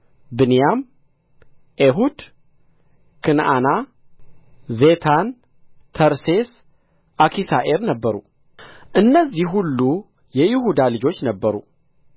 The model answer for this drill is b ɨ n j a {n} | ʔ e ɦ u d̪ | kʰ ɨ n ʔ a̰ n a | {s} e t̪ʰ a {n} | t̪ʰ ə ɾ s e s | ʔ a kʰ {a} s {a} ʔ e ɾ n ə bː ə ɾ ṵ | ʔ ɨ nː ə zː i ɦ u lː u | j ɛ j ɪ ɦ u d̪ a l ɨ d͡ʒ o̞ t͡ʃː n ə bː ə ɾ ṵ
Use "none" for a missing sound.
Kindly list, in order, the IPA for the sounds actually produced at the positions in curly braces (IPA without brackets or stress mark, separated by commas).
m, z, n, i, a